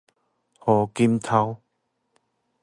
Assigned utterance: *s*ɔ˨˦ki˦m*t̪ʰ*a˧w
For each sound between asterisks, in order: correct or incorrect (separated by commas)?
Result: incorrect, correct